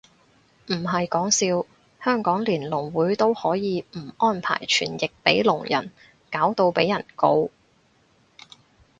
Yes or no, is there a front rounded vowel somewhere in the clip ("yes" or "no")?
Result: yes